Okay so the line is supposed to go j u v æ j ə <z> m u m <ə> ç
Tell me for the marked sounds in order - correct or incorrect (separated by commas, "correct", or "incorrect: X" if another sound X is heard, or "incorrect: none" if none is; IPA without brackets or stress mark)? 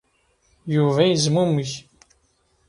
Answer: correct, correct